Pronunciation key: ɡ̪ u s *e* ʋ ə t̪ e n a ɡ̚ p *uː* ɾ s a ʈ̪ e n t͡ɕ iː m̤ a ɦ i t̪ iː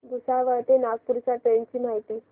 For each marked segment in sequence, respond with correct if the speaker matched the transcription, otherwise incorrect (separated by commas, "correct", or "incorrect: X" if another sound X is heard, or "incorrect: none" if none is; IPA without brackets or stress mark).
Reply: incorrect: a, incorrect: u